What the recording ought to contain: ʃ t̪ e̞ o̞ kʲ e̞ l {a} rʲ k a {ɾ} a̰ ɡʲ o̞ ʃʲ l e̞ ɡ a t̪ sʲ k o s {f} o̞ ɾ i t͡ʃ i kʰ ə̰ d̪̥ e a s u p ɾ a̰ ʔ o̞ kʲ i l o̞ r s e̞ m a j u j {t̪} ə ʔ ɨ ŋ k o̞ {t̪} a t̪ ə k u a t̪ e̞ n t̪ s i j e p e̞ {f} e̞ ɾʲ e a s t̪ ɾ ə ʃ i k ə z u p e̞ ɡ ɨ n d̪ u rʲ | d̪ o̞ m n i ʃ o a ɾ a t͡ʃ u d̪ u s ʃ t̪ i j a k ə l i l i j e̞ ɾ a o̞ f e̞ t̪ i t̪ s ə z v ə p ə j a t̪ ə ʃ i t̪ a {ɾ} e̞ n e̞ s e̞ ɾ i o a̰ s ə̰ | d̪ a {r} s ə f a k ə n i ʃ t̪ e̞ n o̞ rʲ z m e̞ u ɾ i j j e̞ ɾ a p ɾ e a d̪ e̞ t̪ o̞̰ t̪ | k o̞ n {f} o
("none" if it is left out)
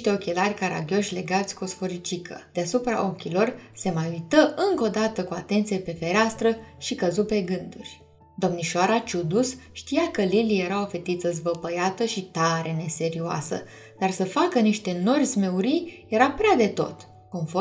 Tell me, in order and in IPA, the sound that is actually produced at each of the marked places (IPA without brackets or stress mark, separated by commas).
a, ɾ, f, t̪, d̪, f, ɾ, r, f